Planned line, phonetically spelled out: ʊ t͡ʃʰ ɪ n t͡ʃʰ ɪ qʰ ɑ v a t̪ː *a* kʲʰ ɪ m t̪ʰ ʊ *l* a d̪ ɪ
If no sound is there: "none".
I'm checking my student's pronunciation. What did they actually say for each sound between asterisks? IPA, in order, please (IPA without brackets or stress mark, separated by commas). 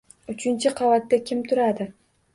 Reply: a, ɾ